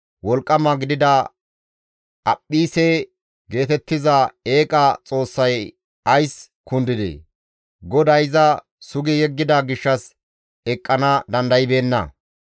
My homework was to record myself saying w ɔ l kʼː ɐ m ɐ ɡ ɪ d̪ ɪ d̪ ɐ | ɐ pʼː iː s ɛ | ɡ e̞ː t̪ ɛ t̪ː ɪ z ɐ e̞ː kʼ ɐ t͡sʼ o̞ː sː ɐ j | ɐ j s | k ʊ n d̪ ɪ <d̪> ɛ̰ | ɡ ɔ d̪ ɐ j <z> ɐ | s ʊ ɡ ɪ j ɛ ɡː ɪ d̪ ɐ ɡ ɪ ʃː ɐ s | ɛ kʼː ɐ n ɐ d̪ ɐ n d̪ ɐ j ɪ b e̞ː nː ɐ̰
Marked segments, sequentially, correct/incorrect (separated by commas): correct, correct